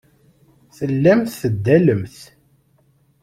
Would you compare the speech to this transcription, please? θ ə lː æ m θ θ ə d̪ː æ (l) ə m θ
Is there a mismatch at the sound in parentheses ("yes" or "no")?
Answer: no